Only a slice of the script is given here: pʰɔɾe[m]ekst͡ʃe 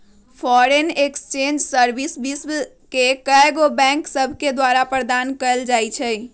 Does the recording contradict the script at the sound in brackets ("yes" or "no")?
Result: yes